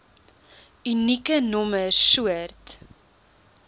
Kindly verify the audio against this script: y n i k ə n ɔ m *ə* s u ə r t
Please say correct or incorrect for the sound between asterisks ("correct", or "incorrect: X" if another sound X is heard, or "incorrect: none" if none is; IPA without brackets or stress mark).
correct